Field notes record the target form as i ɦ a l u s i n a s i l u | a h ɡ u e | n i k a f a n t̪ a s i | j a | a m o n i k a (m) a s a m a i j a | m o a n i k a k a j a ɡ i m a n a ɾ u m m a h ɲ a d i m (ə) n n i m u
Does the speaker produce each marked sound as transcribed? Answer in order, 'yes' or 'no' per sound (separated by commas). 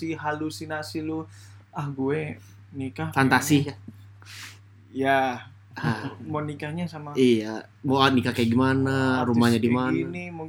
no, no